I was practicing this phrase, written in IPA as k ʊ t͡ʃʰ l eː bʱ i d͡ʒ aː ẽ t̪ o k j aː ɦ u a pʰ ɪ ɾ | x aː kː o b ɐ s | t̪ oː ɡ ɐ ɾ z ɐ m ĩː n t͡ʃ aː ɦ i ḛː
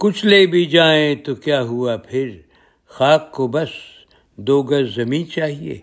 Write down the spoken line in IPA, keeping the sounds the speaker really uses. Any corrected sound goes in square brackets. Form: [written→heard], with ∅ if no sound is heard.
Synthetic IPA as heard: k ʊ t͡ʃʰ l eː bʱ i d͡ʒ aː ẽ t̪ o k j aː ɦ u a pʰ ɪ ɾ | x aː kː o b ɐ s | [t̪→d̪] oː ɡ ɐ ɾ z ɐ m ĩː n t͡ʃ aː ɦ i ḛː